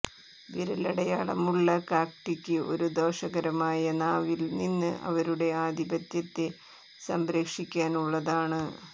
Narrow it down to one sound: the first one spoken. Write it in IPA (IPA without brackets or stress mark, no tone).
ʋ